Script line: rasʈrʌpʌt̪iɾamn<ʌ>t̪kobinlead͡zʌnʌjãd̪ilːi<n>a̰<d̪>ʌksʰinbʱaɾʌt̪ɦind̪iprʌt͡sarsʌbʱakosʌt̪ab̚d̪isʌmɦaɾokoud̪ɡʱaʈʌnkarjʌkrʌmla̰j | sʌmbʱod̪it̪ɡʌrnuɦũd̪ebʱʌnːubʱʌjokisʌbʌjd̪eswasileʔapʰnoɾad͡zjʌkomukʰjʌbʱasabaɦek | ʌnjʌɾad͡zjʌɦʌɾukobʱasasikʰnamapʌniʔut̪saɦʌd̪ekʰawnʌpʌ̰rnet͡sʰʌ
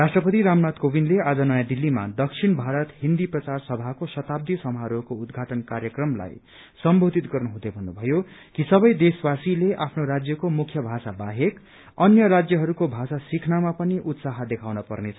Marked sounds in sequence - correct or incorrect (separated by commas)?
incorrect, incorrect, correct